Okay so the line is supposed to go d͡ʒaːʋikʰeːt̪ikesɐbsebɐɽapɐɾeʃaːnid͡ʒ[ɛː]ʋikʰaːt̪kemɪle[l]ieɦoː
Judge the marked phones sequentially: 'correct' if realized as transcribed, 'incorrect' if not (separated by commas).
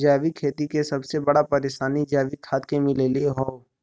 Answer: incorrect, correct